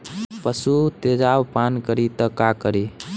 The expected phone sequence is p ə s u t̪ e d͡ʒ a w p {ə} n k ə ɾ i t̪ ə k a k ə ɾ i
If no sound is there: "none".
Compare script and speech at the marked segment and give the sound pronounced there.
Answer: a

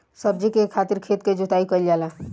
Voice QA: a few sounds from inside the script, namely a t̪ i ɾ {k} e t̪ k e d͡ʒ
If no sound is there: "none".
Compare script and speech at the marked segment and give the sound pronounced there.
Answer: kʰ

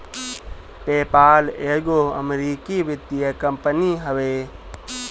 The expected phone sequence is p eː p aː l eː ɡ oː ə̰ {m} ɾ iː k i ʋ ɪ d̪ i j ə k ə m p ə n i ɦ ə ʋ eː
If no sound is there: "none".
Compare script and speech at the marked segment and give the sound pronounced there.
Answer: m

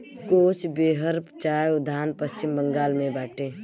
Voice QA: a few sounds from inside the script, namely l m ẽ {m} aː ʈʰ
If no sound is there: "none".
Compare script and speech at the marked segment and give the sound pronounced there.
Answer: b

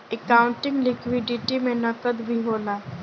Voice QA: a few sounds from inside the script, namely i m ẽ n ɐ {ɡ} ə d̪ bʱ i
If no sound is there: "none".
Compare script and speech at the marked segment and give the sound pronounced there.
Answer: k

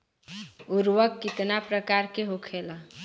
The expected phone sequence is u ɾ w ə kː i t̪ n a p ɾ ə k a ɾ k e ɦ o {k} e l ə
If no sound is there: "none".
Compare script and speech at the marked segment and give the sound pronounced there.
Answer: kʰ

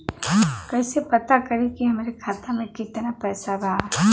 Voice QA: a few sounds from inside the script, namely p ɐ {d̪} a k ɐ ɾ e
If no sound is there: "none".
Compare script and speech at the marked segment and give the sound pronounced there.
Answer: t̪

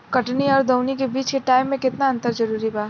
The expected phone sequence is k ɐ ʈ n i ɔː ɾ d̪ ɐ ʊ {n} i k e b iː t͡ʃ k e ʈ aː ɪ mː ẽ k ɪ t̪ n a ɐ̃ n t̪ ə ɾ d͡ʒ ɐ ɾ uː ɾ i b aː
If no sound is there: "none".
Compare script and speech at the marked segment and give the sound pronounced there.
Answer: n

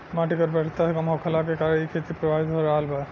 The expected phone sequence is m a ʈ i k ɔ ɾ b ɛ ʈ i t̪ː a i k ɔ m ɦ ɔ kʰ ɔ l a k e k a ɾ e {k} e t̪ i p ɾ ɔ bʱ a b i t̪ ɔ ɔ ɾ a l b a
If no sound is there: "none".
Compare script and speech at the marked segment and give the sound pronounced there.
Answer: kʰ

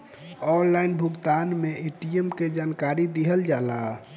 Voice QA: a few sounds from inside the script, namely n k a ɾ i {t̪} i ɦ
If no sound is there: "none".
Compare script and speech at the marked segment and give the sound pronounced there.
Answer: d̪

